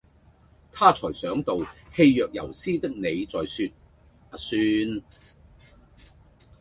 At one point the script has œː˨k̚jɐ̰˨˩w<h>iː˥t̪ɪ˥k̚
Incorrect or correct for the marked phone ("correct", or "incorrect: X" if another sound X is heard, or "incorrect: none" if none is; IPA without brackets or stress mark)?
incorrect: s